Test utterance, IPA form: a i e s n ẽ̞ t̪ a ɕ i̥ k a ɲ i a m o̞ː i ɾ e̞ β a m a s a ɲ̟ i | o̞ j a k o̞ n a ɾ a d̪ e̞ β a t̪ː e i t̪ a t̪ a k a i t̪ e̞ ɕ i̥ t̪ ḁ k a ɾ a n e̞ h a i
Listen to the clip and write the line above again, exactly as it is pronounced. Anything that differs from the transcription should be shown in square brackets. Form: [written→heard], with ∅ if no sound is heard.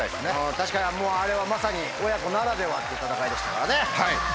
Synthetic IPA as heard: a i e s n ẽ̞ t̪ a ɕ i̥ k a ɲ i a m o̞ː [i→a] ɾ e̞ β a m a s a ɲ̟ i | o̞ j a k o̞ n a ɾ a d̪ e̞ β a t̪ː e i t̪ a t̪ a k a i [t̪→d̪] e̞ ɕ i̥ t̪ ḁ k a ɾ a n e̞ h a i

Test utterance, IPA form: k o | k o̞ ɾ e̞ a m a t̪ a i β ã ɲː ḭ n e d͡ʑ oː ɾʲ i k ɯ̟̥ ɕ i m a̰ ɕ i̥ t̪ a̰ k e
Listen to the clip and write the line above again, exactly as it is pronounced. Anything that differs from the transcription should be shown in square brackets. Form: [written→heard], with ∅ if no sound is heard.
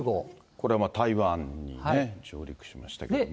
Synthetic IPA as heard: [k→ɡ] o | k o̞ ɾ e̞ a m a t̪ a i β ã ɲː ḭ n e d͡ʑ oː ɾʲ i k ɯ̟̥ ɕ i m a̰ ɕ i̥ t̪ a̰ k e

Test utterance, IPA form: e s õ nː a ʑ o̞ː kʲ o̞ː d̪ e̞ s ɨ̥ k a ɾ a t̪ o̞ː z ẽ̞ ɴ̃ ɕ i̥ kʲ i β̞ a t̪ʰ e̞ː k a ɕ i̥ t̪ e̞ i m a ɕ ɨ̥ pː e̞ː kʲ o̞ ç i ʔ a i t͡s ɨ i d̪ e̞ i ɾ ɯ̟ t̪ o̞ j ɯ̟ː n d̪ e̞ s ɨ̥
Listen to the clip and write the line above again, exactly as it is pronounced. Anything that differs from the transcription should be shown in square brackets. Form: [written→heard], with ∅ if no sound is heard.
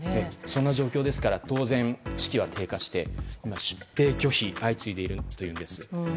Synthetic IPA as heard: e s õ nː a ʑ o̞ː kʲ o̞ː d̪ e̞ s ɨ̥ k a ɾ a t̪ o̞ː z ẽ̞ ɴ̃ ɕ i̥ kʲ i β̞ a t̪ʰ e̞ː k a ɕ i̥ t̪ e̞ i m a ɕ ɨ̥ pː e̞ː kʲ o̞ ç i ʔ a i t͡s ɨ i d̪ e̞ i ɾ ɯ̟ t̪ o̞ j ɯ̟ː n d̪ e̞ s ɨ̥

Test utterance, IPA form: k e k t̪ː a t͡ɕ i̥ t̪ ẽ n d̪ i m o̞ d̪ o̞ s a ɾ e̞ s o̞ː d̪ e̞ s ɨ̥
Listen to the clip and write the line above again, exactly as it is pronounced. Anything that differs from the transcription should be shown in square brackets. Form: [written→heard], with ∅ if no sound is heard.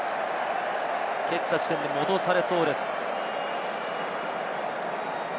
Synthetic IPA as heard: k e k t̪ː a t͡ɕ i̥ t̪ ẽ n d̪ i m o̞ d̪ o̞ s a ɾ e̞ s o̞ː d̪ e̞ s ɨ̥

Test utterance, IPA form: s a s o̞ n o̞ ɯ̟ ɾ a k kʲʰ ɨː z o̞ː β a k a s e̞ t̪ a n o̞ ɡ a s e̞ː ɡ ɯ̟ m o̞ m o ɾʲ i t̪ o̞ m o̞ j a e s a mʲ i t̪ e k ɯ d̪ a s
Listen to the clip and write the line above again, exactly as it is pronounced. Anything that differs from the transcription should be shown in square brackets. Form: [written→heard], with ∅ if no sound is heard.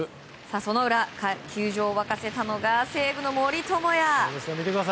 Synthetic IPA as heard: s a s o̞ n o̞ ɯ̟ ɾ a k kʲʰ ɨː [z→ʑ] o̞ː β a k a s e̞ t̪ a n o̞ ɡ a s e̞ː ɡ ɯ̟ [m→n] o̞ m o ɾʲ i t̪ o̞ m o̞ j a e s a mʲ i t̪ e k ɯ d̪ a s

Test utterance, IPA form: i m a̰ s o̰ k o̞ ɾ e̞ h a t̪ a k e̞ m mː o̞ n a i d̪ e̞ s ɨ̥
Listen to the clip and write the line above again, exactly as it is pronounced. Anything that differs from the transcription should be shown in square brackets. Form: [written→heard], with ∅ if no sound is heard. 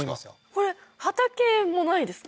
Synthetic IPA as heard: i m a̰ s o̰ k o̞ ɾ e̞ h a t̪ a k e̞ m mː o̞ n a i d̪ e̞ s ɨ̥

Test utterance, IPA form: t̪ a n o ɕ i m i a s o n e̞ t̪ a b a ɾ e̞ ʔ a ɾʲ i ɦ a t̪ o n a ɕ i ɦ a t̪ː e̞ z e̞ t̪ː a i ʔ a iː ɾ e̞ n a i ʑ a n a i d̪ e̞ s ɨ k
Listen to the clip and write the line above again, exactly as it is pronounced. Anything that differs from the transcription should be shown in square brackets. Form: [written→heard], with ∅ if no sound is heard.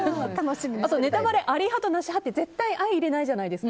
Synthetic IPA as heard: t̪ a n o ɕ i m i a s o n e̞ t̪ a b a ɾ e̞ ʔ a ɾʲ i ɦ a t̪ o n a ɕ i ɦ a t̪ː e̞ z e̞ t̪ː a i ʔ a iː ɾ e̞ n a i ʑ a n a i d̪ e̞ s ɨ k

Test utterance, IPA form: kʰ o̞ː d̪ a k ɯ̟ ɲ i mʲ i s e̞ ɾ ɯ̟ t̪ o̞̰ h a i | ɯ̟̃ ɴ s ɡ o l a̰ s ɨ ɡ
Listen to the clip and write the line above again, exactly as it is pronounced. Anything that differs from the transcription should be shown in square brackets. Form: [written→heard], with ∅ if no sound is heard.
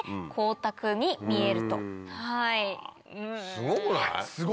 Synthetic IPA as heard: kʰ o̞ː [d̪→t̪] a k ɯ̟ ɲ i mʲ i [s→∅] e̞ ɾ ɯ̟ t̪ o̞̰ h a i | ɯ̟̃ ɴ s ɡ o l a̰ s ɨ ɡ

